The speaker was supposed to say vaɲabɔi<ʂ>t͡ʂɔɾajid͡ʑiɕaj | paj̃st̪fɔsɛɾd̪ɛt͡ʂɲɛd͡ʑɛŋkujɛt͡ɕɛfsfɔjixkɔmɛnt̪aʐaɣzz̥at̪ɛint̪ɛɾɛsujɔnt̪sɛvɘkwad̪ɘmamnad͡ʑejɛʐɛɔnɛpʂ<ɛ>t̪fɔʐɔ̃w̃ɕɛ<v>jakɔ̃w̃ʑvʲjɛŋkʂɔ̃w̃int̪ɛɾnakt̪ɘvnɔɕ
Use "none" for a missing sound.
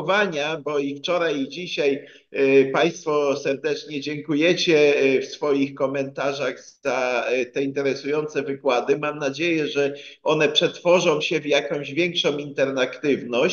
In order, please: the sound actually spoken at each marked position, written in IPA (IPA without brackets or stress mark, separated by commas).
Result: f, ɛ, v